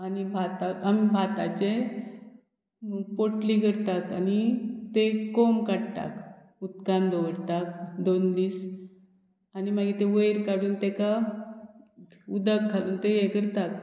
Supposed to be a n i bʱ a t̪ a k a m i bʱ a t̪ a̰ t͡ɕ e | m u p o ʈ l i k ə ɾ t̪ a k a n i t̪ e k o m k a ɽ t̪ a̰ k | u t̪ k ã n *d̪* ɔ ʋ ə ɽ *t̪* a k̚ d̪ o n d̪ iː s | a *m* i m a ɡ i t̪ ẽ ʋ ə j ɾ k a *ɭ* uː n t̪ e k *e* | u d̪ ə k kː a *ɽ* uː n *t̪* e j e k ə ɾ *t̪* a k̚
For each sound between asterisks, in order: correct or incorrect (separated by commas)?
correct, correct, incorrect, incorrect, incorrect, incorrect, correct, correct